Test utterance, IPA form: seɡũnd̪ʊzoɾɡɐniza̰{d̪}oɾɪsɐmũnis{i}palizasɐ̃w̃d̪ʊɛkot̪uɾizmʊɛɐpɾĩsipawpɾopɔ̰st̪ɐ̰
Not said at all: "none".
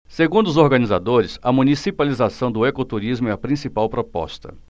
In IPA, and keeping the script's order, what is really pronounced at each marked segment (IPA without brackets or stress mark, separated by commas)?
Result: d̪, i